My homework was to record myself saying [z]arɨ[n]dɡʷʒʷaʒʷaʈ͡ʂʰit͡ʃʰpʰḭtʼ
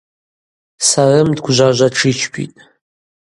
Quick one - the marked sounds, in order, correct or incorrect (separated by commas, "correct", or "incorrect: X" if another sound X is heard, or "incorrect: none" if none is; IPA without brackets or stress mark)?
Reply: incorrect: s, incorrect: m